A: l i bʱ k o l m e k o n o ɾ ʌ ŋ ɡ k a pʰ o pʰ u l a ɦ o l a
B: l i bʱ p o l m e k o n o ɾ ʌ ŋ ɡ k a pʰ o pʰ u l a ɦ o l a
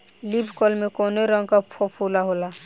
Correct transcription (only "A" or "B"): A